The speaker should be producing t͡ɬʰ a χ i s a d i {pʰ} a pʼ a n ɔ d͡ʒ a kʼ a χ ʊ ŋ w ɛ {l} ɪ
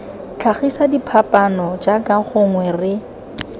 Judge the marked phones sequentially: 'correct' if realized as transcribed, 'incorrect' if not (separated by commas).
correct, incorrect